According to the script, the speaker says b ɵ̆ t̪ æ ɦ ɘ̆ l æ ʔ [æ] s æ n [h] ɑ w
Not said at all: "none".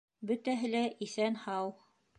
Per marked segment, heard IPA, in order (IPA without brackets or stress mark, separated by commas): i, h